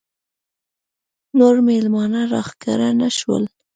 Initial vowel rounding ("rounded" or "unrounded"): rounded